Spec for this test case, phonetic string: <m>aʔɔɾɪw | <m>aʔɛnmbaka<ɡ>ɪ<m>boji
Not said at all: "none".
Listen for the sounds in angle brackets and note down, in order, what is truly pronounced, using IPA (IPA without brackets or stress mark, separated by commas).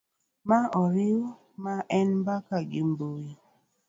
m, m, ɡ, m